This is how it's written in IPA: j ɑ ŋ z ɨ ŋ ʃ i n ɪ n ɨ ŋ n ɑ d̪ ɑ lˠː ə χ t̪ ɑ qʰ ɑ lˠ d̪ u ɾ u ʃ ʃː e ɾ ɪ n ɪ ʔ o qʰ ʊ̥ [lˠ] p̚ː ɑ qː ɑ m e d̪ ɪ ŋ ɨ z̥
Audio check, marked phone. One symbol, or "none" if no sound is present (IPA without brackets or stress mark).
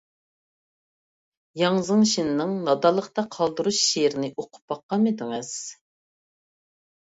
none